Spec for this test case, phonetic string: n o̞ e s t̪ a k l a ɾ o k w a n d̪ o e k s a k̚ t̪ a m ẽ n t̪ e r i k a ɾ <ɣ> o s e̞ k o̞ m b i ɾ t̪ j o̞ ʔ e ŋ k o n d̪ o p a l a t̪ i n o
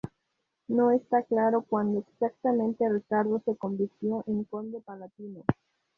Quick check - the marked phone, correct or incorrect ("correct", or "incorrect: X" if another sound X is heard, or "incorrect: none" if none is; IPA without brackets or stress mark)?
incorrect: ð